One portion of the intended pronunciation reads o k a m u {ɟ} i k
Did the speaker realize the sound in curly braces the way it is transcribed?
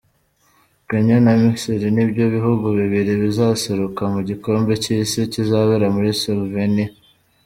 yes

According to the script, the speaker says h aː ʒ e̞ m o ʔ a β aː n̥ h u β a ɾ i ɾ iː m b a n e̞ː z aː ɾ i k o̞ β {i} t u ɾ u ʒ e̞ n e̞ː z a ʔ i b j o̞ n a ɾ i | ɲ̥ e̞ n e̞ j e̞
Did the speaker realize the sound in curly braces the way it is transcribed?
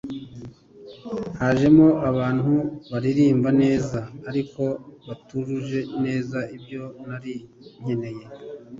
no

